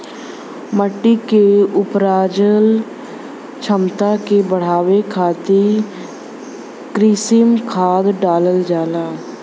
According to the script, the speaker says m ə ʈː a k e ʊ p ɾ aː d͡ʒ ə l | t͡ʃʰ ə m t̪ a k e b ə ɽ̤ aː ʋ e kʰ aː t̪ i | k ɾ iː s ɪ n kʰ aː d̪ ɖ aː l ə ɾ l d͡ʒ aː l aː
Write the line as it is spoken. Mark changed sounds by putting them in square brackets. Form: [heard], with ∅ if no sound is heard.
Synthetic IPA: m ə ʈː [i] k e ʊ p ɾ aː d͡ʒ ə l | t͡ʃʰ ə m t̪ a k e b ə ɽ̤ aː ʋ e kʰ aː t̪ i | k ɾ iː s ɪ [m] kʰ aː d̪ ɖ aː l ə [∅] l d͡ʒ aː l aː